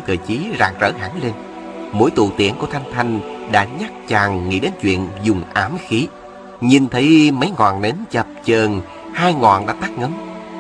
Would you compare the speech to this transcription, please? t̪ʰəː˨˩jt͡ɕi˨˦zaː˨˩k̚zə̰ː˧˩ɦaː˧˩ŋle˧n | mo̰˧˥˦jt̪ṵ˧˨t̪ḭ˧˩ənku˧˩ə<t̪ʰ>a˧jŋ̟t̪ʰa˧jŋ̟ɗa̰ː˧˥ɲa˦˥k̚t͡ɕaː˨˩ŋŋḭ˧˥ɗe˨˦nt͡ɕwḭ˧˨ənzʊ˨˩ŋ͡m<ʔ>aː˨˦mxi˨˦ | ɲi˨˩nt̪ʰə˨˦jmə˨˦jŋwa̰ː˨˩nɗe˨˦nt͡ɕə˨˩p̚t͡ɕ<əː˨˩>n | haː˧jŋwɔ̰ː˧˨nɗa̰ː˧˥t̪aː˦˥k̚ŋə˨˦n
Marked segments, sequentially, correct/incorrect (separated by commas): correct, correct, correct